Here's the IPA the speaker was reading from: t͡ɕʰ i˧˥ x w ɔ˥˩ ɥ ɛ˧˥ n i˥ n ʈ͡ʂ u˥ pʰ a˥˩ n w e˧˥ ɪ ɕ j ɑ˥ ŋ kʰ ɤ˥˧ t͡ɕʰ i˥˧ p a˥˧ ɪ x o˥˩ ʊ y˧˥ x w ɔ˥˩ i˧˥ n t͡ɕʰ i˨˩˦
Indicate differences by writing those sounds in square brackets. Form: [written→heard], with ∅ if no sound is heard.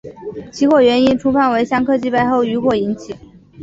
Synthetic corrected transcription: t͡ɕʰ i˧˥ x w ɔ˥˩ ɥ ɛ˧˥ n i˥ n [ʈ͡ʂ→ʈ͡ʂʰ] u˥ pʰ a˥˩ n w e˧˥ ɪ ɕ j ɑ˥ ŋ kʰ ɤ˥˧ [t͡ɕʰ→t͡ɕ] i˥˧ p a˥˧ ɪ x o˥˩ ʊ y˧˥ x w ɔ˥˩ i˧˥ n t͡ɕʰ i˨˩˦